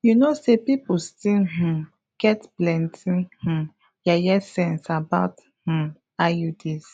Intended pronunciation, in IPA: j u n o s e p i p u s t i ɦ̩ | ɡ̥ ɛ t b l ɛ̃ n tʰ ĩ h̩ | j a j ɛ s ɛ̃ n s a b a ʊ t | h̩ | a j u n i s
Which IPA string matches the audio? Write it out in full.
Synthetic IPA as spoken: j u n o s e p i p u s t i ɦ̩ | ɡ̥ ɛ t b l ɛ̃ n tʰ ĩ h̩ | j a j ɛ s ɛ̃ n s a b a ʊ t | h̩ | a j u d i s